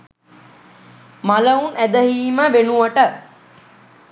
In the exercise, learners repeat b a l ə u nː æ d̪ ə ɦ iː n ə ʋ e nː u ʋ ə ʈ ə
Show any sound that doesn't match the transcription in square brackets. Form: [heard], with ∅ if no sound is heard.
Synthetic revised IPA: [m] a l ə u [n] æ d̪ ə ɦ iː [m] ə ʋ e [n] u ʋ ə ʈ ə